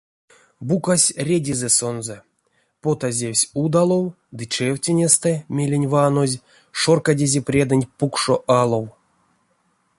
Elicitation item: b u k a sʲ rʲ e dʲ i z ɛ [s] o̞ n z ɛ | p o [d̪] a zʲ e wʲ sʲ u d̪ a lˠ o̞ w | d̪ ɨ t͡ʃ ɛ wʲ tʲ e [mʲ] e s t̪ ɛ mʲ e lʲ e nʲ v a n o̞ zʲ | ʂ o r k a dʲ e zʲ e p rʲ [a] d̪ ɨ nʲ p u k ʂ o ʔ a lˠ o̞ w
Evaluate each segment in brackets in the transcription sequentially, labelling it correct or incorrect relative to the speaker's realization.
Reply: correct, incorrect, incorrect, incorrect

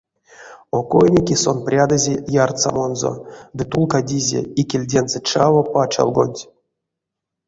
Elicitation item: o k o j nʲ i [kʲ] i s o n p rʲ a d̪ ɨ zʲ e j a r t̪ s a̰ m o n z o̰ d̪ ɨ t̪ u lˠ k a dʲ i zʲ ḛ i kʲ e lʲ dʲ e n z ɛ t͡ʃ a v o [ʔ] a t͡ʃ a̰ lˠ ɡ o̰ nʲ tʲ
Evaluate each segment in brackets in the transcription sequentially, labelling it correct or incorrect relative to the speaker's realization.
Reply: correct, incorrect

